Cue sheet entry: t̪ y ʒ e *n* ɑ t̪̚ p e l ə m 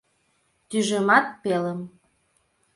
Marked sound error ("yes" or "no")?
yes